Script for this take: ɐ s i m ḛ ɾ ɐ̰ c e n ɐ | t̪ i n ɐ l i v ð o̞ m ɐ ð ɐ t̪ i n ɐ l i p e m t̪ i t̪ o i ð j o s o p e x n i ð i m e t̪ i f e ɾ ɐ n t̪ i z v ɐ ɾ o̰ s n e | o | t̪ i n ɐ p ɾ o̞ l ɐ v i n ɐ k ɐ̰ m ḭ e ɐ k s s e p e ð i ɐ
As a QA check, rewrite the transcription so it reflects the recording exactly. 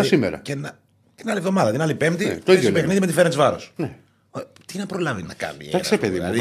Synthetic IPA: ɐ s i m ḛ ɾ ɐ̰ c e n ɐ | t̪ i n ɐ l i v ð o̞ m ɐ ð ɐ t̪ i n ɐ l i p e m t̪ i t̪ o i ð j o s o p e x n i ð i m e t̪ i f e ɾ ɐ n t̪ i z v ɐ ɾ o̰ s n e | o | t̪ i n ɐ p ɾ o̞ l ɐ v i n ɐ k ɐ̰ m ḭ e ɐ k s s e p e ð i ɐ